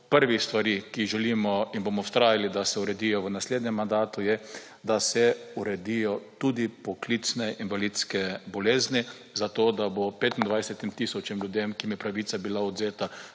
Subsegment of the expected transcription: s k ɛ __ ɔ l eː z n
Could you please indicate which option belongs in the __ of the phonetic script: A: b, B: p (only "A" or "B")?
A